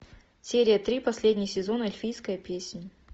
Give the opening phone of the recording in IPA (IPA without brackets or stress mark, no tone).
sʲ